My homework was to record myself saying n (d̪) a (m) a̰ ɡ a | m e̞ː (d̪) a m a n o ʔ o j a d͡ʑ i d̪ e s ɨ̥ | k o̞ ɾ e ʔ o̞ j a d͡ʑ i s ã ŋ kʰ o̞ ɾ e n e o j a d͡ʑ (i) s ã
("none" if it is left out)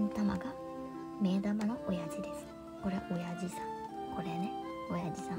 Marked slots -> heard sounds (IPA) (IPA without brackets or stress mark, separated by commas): t̪, m, d̪, i